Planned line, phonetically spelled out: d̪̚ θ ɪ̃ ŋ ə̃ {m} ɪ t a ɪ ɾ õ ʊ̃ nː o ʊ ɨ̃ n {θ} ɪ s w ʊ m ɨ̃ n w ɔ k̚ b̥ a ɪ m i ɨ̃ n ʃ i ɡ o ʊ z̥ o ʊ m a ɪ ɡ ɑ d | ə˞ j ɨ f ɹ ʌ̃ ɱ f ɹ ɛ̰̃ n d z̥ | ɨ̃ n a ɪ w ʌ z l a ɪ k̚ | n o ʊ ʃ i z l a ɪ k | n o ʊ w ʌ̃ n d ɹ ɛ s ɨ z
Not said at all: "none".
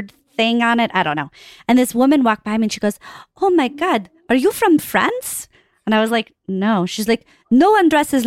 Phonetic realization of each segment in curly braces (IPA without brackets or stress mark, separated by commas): n, ð